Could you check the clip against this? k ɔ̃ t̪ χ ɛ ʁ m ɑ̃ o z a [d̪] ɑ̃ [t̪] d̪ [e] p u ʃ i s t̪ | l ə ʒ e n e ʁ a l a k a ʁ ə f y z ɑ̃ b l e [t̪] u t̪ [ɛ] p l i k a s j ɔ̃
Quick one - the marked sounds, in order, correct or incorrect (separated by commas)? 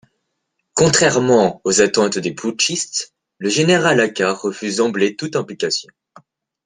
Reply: incorrect, correct, correct, correct, incorrect